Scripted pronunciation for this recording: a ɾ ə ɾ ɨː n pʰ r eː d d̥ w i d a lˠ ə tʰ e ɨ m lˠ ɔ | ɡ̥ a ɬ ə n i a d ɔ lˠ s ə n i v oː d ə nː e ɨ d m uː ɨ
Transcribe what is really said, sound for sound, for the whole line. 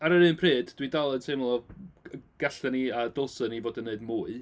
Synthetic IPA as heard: a ɾ ə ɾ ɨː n pʰ r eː d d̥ w i d a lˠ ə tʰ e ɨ m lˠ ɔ | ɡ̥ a ɬ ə n i a d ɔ lˠ s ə n i v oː d ə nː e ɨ d m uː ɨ